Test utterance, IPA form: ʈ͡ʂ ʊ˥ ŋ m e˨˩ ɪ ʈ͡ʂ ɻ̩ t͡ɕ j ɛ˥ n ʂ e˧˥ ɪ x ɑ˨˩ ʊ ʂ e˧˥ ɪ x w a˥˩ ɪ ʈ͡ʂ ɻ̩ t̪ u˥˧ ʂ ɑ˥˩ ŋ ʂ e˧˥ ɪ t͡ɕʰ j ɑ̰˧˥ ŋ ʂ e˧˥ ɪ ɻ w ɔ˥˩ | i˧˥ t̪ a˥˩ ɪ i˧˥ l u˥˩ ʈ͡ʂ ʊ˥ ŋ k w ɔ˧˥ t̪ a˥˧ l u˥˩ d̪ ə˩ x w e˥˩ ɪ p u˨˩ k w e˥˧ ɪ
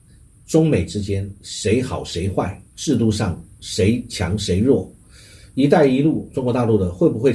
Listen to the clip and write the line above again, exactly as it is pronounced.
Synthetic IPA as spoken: ʈ͡ʂ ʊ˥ ŋ m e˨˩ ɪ ʈ͡ʂ ɻ̩ t͡ɕ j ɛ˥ n ʂ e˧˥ ɪ x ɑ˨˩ ʊ ʂ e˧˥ ɪ x w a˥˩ ɪ ʈ͡ʂ ɻ̩ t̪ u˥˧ ʂ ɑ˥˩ ŋ ʂ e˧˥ ɪ t͡ɕʰ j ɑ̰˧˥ ŋ ʂ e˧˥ ɪ ɻ w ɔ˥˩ | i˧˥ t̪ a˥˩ ɪ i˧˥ l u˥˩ ʈ͡ʂ ʊ˥ ŋ k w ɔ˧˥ t̪ a˥˧ l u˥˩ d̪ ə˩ x w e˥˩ ɪ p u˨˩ x w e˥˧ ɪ